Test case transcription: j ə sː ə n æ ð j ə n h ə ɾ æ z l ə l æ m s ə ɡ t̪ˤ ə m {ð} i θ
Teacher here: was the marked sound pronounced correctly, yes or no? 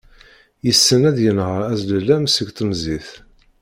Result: no